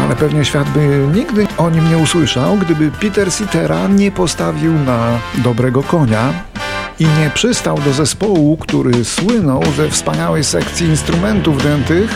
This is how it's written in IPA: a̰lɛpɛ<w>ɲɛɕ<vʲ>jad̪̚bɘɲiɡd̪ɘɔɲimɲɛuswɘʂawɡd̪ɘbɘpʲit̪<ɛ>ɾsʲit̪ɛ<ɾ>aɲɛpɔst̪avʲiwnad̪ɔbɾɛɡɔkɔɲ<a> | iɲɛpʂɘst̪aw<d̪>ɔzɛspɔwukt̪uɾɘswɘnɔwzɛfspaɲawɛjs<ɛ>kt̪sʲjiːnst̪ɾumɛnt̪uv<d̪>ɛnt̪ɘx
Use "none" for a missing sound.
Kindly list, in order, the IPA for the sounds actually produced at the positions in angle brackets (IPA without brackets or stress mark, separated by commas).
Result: v, fʲ, ɛ, ɾ, a, d̪, ɛ, d̪